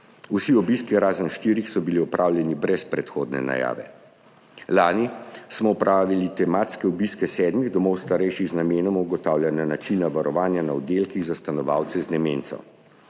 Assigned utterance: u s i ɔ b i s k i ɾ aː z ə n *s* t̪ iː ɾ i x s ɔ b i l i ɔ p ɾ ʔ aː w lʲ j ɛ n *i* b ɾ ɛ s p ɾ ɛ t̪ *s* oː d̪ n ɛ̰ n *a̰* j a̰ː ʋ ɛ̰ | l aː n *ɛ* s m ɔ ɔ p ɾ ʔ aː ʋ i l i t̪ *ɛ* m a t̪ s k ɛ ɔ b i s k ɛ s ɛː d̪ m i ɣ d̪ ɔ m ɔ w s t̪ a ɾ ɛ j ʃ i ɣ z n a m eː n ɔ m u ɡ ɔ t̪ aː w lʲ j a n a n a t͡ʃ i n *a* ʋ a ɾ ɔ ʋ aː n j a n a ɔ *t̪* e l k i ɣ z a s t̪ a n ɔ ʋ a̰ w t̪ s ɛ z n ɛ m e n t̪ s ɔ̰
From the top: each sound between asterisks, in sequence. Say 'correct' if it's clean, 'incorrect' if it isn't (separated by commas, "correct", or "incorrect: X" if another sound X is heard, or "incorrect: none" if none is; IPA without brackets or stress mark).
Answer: incorrect: ʃ, correct, incorrect: x, correct, incorrect: i, correct, correct, incorrect: d̪